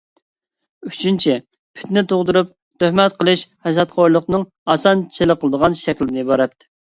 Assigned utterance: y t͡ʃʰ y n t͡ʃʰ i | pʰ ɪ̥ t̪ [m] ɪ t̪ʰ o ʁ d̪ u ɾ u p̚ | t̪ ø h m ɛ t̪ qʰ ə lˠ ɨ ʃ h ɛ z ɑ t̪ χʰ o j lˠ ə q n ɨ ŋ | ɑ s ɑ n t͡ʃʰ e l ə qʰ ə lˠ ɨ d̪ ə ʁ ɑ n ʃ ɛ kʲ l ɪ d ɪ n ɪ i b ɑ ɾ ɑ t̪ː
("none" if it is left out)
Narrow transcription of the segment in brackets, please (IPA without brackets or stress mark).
n